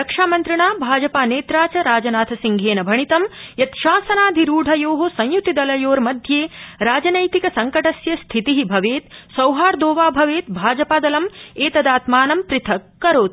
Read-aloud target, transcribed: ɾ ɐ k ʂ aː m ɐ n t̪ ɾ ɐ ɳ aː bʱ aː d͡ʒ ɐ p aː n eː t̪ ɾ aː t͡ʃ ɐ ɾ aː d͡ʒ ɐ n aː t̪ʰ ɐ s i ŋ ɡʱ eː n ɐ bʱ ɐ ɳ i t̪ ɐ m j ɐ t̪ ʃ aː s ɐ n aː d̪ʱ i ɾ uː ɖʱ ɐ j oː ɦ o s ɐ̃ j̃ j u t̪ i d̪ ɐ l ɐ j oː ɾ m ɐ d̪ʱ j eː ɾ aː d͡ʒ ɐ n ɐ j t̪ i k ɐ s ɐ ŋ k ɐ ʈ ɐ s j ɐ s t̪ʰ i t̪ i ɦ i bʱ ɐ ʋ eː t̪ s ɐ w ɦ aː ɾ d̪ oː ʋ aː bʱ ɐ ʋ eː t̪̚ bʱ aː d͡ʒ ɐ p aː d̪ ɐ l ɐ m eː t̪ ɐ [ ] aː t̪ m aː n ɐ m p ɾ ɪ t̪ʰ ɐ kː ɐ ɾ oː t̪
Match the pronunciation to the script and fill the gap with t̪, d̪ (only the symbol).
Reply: d̪